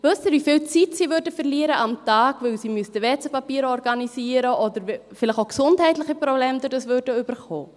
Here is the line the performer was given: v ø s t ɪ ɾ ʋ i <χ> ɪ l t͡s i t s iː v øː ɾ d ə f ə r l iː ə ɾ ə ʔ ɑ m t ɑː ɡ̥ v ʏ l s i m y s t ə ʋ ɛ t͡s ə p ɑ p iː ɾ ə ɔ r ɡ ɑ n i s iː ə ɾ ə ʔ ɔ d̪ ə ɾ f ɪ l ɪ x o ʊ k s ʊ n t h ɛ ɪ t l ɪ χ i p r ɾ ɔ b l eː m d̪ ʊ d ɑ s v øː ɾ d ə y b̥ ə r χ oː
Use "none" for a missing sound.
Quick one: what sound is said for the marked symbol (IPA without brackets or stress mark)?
f